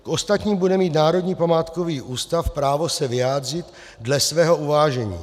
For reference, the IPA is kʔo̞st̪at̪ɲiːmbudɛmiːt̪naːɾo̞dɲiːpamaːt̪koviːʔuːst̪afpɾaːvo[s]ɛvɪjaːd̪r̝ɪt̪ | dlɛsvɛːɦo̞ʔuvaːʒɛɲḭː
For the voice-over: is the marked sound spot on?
yes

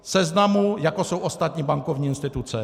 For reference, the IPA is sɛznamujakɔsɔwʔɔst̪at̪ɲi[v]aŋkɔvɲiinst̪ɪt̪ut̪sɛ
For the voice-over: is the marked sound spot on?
no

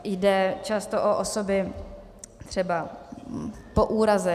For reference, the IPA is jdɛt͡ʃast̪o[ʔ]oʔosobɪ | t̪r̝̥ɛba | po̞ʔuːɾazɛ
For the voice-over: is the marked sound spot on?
yes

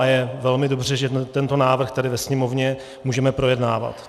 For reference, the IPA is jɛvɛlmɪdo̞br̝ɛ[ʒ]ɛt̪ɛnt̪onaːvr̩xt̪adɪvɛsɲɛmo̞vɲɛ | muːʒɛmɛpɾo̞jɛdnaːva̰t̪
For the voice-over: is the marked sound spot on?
yes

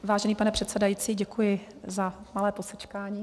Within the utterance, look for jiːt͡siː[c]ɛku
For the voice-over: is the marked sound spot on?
no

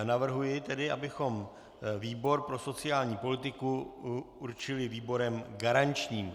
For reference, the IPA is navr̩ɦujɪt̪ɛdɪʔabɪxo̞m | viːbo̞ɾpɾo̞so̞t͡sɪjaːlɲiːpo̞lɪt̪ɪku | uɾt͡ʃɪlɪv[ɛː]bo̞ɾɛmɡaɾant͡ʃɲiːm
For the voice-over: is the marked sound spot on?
no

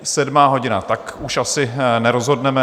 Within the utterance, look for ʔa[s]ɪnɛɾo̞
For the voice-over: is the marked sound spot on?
yes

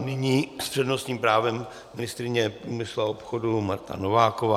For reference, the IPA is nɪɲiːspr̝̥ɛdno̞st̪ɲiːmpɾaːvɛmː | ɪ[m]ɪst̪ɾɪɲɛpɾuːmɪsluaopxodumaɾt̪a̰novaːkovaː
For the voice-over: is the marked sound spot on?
no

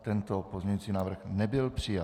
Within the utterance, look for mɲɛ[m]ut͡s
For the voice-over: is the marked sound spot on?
no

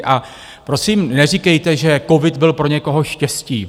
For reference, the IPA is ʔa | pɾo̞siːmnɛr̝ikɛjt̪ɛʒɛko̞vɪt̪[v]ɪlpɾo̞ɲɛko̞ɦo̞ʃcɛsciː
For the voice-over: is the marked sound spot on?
no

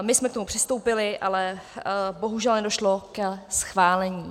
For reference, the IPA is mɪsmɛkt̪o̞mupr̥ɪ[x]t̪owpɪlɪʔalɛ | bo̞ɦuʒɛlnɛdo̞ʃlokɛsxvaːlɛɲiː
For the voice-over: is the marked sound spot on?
no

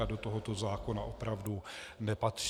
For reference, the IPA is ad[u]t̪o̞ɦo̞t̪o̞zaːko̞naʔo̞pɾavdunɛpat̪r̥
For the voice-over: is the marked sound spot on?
no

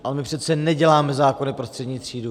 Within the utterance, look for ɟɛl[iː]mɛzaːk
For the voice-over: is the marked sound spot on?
no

